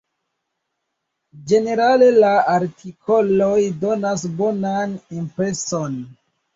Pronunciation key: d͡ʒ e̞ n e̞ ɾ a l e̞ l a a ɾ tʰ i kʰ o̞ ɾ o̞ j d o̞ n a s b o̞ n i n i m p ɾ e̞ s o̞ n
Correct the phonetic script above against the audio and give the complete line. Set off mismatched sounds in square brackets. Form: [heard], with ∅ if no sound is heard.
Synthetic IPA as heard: d͡ʒ e̞ n e̞ ɾ a l e̞ l a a ɾ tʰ i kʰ o̞ [l] o̞ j d o̞ n a s b o̞ n [a] n i m p ɾ e̞ s o̞ n